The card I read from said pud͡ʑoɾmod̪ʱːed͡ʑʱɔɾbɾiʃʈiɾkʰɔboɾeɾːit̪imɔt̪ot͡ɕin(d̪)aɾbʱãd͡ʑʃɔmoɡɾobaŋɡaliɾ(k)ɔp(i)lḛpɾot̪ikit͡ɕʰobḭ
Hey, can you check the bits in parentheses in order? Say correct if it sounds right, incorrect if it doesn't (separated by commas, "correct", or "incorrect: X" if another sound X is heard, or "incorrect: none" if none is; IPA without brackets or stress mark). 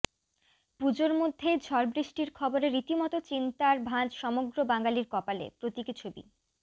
incorrect: t̪, correct, incorrect: a